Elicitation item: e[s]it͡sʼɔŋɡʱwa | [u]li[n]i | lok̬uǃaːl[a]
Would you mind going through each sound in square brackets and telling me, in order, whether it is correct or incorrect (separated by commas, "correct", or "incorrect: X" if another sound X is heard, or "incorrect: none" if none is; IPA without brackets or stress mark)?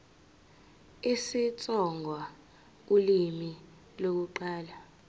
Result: correct, correct, incorrect: m, correct